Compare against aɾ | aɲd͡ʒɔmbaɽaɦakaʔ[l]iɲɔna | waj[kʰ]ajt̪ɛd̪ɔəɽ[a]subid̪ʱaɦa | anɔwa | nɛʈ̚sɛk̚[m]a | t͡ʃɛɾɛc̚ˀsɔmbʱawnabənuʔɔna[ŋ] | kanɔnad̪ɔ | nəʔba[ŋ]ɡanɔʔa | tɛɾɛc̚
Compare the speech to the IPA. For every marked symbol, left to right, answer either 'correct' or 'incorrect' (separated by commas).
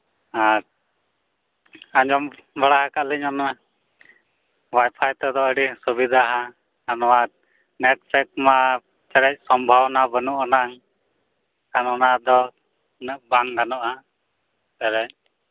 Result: correct, incorrect, incorrect, correct, correct, correct